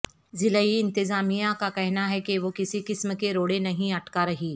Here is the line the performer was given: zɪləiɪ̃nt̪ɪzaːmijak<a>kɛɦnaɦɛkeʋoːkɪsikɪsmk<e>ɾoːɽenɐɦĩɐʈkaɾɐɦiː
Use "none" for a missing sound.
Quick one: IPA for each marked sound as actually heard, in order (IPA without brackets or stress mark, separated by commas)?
a, e